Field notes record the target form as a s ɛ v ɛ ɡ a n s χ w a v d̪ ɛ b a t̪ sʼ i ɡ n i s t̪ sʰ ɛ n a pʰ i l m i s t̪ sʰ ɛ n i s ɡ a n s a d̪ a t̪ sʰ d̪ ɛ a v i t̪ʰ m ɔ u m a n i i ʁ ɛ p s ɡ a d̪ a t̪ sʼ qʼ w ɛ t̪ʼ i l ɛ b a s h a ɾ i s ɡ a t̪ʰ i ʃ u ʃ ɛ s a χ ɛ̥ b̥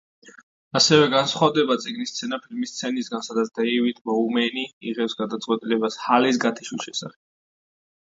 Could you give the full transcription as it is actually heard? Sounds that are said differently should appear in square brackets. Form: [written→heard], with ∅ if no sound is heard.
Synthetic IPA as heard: a s ɛ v ɛ ɡ a n s χ w a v d̪ ɛ b a t̪ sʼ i ɡ n i s t̪ sʰ ɛ n a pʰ i l m i s t̪ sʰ ɛ n i s ɡ a n s a d̪ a t̪ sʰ d̪ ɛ [a→i] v i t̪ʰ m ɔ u m [a→ɛ] n i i ʁ ɛ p s ɡ a d̪ a t̪ sʼ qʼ w ɛ t̪ʼ i l ɛ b a s h a [ɾ→l] i s ɡ a t̪ʰ i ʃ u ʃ ɛ s a χ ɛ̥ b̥